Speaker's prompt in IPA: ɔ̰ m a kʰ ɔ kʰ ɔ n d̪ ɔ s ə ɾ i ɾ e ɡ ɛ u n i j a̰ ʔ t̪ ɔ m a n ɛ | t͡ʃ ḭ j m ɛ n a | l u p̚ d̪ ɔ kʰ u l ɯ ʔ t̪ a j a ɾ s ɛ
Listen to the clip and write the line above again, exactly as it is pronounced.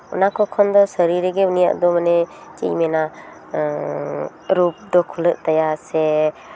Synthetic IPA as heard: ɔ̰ n a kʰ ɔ kʰ ɔ n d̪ ɔ s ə ɾ i ɾ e ɡ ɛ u n i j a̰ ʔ d̪ ɔ m a n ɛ | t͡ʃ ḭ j m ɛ n a | ɾ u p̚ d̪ ɔ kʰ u l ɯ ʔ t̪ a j a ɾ s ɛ